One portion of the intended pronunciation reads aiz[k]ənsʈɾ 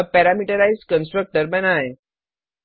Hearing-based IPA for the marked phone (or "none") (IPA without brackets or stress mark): k